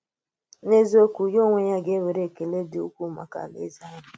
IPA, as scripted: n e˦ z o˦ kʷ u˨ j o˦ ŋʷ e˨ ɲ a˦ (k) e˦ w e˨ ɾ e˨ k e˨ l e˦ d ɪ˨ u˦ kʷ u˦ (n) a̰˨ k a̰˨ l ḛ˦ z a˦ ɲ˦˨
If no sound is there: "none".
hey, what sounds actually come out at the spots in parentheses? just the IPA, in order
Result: ɡ, m

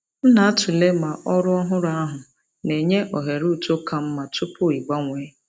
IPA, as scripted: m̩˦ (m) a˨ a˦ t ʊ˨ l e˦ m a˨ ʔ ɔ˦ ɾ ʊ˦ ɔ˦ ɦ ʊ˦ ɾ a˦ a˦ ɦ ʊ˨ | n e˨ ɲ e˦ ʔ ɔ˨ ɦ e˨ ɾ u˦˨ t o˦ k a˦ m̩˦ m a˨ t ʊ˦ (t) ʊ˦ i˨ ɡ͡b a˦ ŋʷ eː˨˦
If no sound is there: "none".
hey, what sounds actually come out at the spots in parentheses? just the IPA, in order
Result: n, p

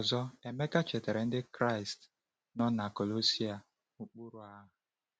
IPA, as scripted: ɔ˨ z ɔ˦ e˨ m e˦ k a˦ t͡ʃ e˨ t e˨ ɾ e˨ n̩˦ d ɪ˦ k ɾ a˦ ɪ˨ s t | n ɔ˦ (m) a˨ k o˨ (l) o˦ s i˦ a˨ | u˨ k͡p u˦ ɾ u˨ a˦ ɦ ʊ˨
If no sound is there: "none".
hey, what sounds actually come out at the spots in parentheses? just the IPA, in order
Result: n, l

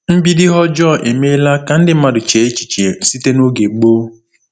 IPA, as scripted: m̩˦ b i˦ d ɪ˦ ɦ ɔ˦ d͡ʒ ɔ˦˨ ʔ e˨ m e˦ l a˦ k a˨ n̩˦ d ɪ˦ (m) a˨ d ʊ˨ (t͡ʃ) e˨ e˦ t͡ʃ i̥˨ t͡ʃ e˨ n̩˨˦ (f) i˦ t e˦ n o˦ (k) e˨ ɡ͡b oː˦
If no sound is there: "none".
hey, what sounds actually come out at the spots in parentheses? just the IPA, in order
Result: m, t͡ʃ, s, ɡ

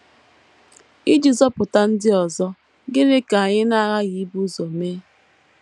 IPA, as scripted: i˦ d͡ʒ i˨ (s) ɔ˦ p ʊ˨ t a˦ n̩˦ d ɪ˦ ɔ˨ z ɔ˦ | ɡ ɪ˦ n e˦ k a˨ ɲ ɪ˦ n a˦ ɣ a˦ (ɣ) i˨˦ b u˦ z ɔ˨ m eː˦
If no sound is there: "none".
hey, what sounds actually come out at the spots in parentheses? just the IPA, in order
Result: z, ɣ

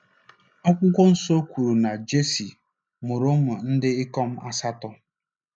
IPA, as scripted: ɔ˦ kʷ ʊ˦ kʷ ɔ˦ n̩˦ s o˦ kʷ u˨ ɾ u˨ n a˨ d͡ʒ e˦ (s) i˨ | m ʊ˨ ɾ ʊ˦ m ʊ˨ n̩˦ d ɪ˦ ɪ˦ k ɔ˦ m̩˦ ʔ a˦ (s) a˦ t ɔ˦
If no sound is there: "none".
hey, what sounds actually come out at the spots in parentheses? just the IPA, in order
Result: s, s

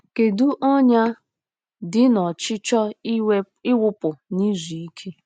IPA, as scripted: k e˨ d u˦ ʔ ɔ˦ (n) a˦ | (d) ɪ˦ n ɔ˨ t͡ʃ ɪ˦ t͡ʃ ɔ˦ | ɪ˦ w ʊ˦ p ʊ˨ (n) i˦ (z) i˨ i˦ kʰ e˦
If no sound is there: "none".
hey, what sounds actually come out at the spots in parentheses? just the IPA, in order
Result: ɲ, d, n, z

